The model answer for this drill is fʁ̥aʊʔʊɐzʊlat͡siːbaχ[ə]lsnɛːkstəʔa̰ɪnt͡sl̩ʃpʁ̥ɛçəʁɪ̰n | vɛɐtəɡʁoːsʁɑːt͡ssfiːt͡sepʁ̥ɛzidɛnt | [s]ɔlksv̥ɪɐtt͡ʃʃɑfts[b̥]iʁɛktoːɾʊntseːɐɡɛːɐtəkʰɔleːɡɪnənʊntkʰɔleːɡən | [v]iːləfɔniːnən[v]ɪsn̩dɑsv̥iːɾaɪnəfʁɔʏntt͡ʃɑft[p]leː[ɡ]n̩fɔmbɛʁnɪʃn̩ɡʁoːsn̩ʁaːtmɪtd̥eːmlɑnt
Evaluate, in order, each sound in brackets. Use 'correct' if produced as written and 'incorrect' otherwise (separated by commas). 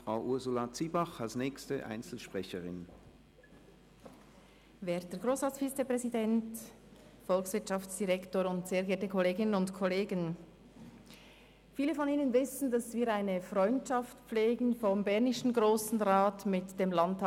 incorrect, incorrect, incorrect, incorrect, correct, incorrect, correct